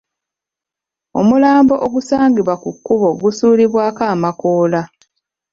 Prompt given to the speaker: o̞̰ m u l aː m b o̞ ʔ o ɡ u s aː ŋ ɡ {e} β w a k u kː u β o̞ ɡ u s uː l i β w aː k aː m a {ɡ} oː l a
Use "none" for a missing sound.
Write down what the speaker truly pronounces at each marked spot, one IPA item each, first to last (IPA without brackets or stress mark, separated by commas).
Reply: i, k